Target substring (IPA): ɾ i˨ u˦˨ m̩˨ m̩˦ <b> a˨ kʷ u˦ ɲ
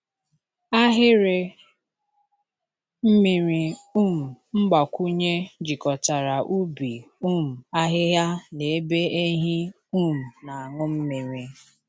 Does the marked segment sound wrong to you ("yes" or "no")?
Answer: yes